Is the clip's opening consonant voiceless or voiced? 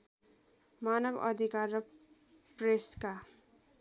voiced